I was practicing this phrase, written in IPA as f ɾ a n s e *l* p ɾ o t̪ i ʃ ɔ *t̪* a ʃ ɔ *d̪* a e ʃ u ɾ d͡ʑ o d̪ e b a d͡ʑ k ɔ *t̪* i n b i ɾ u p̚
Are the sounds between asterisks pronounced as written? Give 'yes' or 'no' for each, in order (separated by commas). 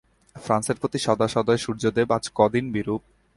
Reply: no, no, yes, no